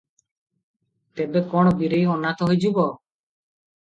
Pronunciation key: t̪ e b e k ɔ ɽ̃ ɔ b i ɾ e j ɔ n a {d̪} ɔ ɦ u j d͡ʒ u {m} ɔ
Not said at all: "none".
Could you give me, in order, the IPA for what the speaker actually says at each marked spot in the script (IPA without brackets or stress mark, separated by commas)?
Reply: t̪, b